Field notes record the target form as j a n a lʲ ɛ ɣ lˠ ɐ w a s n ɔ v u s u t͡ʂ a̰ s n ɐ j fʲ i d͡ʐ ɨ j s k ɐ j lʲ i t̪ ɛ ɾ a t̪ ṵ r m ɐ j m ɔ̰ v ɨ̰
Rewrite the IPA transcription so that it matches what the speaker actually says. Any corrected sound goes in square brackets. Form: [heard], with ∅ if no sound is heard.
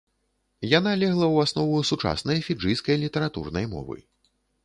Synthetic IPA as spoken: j a n a lʲ ɛ ɣ lˠ ɐ w a s n ɔ v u s u t͡ʂ a̰ s n ɐ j fʲ i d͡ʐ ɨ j s k ɐ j lʲ i t̪ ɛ ɾ a t̪ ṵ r [n] ɐ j m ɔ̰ v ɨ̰